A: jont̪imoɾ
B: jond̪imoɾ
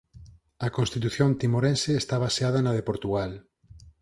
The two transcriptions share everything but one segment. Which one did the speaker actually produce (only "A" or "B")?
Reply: A